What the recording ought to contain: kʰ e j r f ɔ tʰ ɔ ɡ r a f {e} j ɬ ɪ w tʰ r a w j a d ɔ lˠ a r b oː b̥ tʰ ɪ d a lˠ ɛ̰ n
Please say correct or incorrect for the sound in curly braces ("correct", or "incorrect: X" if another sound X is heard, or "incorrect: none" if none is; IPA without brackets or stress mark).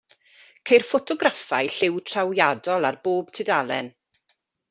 incorrect: a